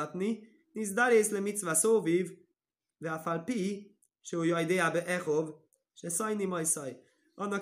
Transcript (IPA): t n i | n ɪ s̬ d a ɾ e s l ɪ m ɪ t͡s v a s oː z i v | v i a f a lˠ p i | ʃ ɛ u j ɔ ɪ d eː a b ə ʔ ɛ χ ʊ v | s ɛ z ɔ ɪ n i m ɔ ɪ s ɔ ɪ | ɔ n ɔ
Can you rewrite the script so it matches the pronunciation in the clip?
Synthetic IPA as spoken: t n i | n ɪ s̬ d a ɾ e s l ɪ m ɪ t͡s v a s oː v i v | v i a f a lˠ p i | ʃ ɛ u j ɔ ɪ d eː a b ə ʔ ɛ χ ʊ v | ʃ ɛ s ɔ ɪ n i m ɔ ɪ s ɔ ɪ | ɔ n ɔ